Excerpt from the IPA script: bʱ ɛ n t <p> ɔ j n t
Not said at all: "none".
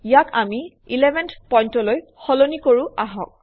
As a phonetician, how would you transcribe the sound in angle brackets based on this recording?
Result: p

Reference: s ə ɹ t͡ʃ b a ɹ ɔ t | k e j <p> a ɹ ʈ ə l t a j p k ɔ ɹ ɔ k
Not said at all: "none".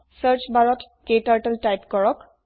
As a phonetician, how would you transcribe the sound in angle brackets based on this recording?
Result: t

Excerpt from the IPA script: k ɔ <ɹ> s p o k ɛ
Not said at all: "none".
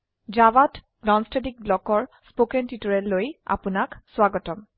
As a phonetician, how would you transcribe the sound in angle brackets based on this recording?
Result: ɹ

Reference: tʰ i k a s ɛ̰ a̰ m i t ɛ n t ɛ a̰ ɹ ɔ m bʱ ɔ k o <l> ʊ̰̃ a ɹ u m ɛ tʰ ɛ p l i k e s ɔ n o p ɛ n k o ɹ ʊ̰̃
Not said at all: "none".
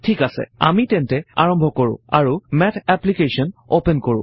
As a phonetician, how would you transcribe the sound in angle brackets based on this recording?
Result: ɹ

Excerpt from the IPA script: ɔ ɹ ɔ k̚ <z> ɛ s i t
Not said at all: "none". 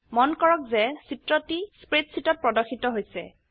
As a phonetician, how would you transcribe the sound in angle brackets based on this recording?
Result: z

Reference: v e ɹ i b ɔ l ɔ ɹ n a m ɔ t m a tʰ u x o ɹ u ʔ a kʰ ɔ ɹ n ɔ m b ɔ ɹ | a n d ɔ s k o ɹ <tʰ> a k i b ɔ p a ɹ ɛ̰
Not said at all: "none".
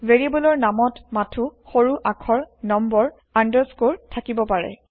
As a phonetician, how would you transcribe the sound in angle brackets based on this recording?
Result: tʰ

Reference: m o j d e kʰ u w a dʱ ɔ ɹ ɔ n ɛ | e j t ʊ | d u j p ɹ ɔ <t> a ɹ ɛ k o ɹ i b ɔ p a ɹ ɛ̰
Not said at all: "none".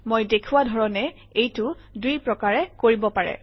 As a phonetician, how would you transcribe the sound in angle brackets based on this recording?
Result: k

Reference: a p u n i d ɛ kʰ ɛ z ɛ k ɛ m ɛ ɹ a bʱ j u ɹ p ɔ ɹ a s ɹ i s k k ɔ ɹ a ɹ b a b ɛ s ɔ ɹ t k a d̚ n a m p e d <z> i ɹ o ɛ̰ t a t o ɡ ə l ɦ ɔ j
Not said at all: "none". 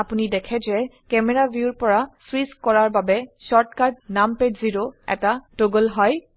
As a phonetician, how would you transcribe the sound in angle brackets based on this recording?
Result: z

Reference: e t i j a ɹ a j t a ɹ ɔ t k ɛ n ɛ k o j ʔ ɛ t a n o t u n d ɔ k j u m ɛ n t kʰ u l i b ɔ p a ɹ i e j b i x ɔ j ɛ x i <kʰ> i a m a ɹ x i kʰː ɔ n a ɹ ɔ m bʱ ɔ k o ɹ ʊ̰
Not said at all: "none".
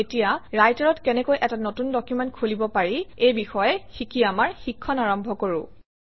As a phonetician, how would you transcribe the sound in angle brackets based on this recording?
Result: k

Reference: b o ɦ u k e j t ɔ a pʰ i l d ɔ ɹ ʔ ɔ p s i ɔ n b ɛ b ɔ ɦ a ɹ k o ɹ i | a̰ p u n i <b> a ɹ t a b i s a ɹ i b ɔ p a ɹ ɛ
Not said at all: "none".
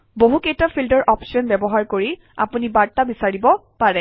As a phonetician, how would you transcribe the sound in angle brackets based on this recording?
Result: b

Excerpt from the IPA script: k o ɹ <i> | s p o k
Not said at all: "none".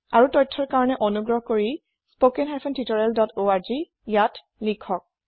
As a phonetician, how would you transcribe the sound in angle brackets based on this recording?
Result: i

